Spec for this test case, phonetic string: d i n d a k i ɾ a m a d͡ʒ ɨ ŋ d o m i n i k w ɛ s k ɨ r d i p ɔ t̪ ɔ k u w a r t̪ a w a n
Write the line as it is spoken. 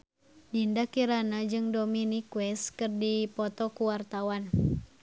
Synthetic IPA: d i n d a k i ɾ a n a d͡ʒ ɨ ŋ d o m i n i k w ɛ s k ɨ r d i p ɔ t̪ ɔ k u w a r t̪ a w a n